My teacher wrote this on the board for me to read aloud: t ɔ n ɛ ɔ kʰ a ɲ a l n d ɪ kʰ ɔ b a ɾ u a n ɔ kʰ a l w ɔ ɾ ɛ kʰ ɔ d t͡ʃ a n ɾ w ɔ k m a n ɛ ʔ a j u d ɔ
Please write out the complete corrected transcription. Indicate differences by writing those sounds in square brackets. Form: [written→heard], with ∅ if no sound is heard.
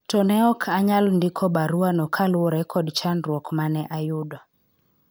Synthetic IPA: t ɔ n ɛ ɔ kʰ a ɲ a l n d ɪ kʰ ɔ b a ɾ u a n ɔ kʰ a l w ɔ ɾ ɛ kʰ ɔ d t͡ʃ a n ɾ w ɔ k m a n ɛ ʔ a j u d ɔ